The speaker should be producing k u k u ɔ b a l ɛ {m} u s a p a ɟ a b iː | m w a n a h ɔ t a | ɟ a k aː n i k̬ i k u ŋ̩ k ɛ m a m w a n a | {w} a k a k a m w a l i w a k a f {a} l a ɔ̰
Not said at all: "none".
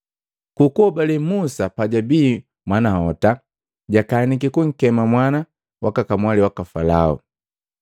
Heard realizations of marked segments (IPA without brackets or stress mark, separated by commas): m, w, a